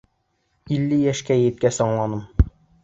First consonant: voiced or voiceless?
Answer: voiced